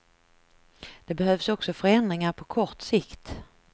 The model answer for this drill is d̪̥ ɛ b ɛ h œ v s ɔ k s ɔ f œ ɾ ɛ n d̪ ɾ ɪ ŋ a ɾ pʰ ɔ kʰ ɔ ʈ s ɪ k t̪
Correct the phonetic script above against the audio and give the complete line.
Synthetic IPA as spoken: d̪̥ ɛ b ɛ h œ v s ɔ k s ɔ f œ ɾ ɛ n d̪ ɾ ɪ ŋ a ɾ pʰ ɔ kʰ ɔ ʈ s ɪ k t̪